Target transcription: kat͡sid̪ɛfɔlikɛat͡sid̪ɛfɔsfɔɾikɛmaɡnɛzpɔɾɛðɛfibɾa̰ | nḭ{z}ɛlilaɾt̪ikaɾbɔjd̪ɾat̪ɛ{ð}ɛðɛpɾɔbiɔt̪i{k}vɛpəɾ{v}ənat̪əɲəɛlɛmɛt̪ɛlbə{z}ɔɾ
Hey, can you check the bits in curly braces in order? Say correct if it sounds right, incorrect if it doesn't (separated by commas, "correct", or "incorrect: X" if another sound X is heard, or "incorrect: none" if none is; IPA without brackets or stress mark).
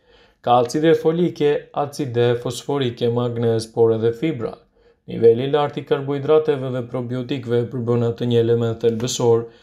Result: incorrect: v, incorrect: v, correct, incorrect: b, incorrect: s